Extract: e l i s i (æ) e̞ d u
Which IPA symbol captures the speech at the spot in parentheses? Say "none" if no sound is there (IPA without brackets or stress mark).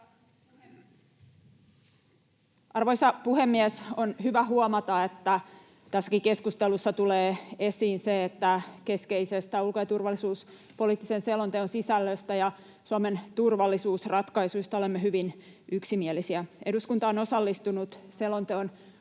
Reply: æ